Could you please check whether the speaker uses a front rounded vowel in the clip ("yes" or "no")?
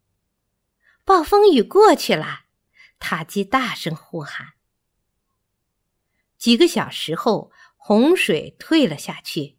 yes